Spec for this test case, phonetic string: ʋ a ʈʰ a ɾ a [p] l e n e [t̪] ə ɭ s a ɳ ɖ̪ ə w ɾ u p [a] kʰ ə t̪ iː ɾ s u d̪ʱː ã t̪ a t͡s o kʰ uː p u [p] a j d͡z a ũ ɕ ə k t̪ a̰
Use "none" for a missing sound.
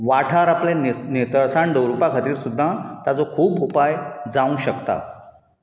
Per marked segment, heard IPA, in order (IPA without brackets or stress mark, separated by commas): p, t̪, a, p